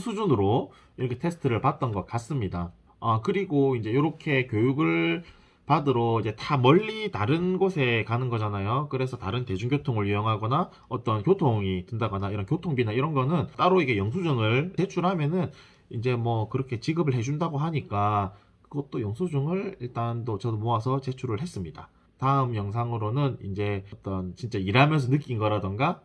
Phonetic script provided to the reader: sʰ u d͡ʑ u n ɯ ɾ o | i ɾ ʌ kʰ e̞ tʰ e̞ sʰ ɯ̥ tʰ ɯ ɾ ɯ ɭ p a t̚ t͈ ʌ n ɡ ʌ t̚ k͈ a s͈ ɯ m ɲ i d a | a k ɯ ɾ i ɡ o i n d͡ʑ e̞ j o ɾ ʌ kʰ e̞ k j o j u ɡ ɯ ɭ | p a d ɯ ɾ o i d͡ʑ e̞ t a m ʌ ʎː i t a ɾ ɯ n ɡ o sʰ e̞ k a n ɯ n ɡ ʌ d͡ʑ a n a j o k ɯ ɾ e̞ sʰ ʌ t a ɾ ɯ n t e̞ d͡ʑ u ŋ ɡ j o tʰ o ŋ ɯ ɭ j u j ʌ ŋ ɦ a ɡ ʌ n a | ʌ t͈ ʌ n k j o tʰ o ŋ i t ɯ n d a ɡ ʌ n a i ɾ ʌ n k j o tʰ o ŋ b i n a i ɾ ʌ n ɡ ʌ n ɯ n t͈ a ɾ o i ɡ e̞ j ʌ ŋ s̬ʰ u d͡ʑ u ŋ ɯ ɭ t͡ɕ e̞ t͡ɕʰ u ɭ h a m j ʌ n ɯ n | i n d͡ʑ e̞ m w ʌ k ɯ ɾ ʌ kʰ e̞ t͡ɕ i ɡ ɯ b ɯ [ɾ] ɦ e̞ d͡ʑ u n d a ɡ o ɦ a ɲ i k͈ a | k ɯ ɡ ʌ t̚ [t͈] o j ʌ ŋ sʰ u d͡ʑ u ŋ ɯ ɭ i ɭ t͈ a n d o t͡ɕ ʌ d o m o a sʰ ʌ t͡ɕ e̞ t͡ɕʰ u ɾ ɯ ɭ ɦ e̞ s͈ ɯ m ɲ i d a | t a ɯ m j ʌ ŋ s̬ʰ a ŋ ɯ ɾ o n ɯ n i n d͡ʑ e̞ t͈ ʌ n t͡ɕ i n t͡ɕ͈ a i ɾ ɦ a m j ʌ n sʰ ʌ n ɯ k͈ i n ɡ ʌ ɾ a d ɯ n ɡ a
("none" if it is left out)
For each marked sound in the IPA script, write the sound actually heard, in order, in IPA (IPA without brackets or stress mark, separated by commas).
ɭ, t͈